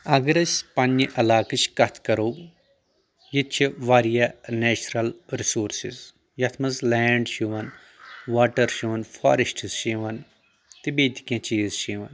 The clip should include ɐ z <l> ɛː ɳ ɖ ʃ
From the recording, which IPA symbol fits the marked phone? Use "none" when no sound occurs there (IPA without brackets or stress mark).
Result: l